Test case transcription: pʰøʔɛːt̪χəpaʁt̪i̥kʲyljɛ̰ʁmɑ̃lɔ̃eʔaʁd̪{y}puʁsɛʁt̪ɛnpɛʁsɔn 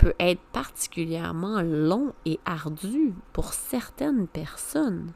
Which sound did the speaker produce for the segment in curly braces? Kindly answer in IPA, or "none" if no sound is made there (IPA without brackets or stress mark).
y